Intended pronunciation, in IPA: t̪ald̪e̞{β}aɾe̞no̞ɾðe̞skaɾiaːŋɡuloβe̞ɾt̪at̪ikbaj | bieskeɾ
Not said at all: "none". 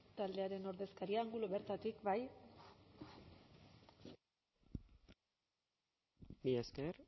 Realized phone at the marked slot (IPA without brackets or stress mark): none